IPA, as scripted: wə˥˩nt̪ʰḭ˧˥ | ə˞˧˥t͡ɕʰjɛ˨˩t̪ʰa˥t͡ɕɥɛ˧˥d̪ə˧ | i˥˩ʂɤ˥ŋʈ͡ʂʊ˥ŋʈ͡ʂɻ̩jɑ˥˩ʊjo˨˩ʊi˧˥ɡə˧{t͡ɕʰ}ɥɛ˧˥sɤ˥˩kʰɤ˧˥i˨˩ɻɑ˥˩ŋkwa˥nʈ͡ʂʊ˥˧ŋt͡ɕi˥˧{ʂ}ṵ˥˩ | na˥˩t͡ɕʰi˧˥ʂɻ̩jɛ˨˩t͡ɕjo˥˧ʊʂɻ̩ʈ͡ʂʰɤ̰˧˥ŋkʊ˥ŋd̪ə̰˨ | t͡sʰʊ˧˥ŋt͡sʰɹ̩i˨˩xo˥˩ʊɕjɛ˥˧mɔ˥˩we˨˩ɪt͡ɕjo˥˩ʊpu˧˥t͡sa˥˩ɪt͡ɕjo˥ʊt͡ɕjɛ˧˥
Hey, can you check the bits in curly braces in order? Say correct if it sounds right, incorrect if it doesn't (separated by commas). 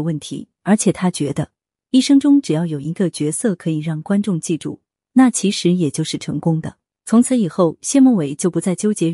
incorrect, incorrect